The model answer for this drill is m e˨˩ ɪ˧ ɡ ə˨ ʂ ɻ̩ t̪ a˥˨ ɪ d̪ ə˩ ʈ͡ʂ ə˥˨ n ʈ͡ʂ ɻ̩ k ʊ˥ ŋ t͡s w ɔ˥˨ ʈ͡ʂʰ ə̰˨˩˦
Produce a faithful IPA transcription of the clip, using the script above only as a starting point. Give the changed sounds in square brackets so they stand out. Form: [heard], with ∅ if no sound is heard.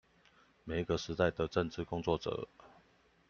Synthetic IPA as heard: m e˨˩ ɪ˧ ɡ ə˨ ʂ ɻ̩ t̪ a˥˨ ɪ d̪ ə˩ ʈ͡ʂ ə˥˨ n ʈ͡ʂ ɻ̩ k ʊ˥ ŋ t͡s w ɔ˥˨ [ʈ͡ʂ] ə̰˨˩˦

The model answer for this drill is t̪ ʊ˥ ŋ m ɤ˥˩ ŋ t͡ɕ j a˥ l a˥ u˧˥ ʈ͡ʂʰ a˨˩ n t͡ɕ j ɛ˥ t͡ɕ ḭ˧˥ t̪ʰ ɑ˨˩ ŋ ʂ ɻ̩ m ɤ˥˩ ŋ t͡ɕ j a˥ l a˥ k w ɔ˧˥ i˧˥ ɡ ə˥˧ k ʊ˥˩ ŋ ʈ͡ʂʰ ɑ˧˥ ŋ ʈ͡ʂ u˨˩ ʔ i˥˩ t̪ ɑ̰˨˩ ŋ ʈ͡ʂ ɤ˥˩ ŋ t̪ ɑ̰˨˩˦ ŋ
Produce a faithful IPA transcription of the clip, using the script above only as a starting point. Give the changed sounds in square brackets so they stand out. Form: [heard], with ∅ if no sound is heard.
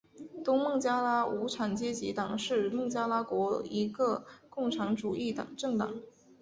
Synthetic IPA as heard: t̪ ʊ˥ ŋ m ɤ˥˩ ŋ t͡ɕ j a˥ l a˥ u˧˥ ʈ͡ʂʰ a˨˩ n t͡ɕ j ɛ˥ t͡ɕ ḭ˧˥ [t̪] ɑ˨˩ ŋ ʂ ɻ̩ m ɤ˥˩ ŋ t͡ɕ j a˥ l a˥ k w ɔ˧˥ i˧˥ ɡ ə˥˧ k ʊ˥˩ ŋ ʈ͡ʂʰ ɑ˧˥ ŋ ʈ͡ʂ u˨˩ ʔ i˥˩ t̪ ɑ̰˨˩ ŋ ʈ͡ʂ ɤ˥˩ ŋ t̪ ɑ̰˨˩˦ ŋ

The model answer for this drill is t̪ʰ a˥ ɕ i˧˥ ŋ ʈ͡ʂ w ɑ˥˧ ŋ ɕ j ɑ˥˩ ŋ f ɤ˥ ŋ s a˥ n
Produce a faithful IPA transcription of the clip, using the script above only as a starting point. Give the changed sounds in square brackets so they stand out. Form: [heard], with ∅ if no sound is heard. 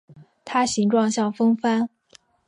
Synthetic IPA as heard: t̪ʰ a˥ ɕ i˧˥ ŋ ʈ͡ʂ w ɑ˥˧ ŋ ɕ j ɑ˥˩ ŋ f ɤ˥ ŋ [f] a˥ n

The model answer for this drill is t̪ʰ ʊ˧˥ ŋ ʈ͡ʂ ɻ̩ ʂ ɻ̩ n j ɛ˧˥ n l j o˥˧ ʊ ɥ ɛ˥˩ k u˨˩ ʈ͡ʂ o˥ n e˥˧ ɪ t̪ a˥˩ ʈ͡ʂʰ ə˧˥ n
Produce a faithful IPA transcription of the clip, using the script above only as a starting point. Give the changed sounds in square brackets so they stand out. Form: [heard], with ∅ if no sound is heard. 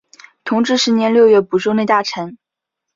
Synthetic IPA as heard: t̪ʰ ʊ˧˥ ŋ ʈ͡ʂ ɻ̩ ʂ ɻ̩ n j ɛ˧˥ n l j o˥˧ ʊ ɥ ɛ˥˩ [p] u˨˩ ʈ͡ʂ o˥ n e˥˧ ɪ t̪ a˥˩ ʈ͡ʂʰ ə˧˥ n

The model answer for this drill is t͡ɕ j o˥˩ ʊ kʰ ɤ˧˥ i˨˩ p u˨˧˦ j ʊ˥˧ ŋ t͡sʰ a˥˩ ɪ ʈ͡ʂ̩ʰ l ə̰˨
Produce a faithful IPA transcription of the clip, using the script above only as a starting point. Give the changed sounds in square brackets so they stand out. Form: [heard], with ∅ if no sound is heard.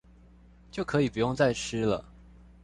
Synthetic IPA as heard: t͡ɕ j o˥˩ ʊ kʰ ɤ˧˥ i˨˩ p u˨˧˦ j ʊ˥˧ ŋ [t͡s] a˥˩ ɪ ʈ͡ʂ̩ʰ l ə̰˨

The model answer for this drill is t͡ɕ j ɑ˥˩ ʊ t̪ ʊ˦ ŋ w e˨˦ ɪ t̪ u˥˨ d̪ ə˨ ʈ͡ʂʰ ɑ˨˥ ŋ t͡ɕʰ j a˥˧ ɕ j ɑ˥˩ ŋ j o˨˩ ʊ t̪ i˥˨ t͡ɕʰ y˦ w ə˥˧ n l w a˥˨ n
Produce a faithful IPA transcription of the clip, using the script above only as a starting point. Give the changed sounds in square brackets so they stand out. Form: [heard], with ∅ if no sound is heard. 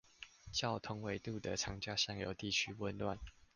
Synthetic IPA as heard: t͡ɕ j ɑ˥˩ ʊ [t̪ʰ] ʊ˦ ŋ w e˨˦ ɪ t̪ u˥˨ d̪ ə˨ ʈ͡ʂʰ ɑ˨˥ ŋ [t͡ɕ] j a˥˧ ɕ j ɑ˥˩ ŋ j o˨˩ ʊ t̪ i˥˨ t͡ɕʰ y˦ w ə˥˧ n l w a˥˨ n

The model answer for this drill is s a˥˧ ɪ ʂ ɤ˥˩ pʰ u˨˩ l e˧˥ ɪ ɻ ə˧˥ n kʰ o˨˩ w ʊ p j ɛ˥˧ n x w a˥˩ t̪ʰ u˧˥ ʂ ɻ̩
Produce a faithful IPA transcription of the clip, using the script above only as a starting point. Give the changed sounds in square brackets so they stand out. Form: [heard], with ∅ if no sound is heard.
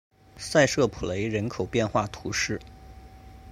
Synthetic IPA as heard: s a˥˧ ɪ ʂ ɤ˥˩ pʰ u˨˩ l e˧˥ ɪ ɻ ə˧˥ n kʰ o˨˩ [∅] ʊ p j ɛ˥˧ n x w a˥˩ t̪ʰ u˧˥ ʂ ɻ̩

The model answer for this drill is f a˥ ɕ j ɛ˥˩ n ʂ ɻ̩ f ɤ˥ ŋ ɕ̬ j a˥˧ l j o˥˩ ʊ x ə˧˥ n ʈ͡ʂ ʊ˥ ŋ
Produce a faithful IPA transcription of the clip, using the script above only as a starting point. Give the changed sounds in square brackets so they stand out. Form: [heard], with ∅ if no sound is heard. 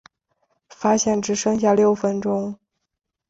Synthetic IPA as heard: f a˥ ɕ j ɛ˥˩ n [ʈ͡ʂ] ɻ̩ [ʂ] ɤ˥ ŋ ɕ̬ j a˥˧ l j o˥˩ ʊ [f] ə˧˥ n ʈ͡ʂ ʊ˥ ŋ

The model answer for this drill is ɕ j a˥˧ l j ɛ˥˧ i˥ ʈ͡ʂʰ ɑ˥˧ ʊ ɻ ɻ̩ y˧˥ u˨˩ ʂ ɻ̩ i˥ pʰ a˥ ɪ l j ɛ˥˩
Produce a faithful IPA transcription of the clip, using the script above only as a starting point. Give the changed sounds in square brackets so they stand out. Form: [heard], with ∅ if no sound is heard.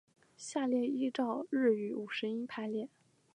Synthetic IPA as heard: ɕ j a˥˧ l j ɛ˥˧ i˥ [ʈ͡ʂ] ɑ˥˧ ʊ ɻ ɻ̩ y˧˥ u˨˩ ʂ ɻ̩ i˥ pʰ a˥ ɪ l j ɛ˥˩

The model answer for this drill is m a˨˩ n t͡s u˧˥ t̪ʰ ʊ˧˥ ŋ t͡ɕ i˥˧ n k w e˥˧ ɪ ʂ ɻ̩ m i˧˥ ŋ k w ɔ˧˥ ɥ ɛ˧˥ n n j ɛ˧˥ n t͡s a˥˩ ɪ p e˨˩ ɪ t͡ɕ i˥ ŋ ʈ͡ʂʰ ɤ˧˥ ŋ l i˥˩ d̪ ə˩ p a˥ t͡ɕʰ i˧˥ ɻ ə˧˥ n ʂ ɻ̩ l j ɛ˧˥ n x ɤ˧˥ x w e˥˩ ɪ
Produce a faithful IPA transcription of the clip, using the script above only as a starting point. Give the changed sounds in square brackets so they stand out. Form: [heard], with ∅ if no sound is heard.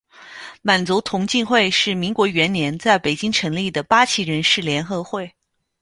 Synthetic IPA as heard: m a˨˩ n t͡s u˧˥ t̪ʰ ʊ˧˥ ŋ t͡ɕ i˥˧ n [x] w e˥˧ ɪ ʂ ɻ̩ m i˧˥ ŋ k w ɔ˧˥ ɥ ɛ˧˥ n n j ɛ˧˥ n t͡s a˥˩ ɪ p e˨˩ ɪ t͡ɕ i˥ ŋ ʈ͡ʂʰ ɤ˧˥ ŋ l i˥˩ d̪ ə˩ p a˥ t͡ɕʰ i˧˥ ɻ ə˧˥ n ʂ ɻ̩ l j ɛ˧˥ n x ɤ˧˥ x w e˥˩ ɪ

